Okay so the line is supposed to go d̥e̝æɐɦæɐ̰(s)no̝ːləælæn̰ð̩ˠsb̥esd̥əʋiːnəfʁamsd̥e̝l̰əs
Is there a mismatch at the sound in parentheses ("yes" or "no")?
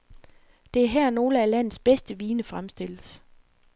yes